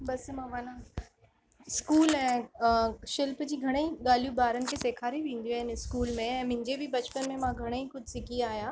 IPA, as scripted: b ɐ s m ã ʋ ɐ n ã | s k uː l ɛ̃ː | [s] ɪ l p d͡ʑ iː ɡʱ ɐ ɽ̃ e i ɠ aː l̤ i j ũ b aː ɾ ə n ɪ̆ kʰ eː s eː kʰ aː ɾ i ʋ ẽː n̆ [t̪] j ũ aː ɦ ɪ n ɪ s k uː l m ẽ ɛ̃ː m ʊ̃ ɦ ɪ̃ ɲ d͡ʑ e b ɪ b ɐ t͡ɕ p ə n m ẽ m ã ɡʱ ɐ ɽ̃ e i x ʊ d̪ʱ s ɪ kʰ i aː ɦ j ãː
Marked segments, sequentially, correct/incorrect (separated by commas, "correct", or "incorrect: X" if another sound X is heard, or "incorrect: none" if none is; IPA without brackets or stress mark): incorrect: ʃ, incorrect: d̪